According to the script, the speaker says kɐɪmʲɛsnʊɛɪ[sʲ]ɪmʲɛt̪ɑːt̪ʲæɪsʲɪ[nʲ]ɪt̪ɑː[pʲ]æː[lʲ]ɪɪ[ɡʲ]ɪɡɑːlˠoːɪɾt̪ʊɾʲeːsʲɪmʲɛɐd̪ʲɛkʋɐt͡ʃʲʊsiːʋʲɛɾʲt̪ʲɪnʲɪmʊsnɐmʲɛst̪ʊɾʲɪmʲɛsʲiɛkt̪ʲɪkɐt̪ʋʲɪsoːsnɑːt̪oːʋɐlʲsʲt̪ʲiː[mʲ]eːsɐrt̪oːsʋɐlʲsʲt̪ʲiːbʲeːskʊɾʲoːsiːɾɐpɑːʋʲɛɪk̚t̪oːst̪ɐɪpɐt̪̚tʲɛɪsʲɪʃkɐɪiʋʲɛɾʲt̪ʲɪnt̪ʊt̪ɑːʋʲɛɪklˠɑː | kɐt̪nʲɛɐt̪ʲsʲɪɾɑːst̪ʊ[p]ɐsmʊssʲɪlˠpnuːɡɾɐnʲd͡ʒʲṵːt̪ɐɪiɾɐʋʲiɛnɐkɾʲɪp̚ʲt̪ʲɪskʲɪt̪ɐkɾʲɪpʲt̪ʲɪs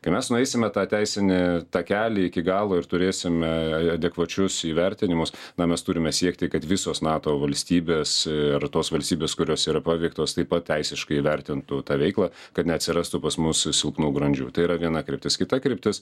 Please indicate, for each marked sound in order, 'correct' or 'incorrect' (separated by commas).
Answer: correct, correct, incorrect, correct, incorrect, incorrect, correct